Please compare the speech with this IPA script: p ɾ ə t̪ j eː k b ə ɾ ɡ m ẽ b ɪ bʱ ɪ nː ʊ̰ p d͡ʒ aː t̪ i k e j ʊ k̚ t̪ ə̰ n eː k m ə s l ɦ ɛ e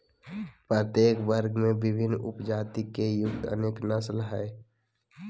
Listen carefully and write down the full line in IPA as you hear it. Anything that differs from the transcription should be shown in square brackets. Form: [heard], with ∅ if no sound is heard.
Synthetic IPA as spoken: p ɾ ə t̪ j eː k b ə ɾ ɡ m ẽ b ɪ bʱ ɪ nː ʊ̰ p d͡ʒ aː t̪ i k e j ʊ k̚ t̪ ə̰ n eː k [n] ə s l ɦ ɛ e